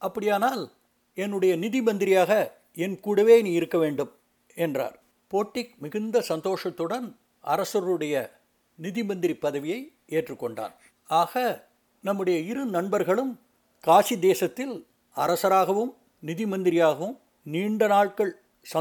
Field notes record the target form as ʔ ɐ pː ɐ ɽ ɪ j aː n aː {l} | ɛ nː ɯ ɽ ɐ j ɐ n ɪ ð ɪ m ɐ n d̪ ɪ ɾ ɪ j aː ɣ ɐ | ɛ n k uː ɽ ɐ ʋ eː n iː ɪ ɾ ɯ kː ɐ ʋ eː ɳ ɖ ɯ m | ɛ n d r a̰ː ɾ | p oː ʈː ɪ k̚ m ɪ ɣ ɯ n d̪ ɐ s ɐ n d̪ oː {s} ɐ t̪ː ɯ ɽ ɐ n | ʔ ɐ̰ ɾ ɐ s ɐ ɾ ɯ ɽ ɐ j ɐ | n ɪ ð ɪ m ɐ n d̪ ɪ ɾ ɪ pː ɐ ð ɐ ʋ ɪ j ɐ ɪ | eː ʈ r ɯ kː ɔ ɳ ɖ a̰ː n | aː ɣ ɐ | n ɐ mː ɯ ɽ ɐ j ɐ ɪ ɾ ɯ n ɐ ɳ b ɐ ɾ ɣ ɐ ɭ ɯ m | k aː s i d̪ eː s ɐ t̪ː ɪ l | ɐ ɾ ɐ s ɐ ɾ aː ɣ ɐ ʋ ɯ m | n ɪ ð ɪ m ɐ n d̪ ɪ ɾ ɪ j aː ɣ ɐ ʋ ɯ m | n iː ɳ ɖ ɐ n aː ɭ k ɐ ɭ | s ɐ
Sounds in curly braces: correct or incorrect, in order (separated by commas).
correct, incorrect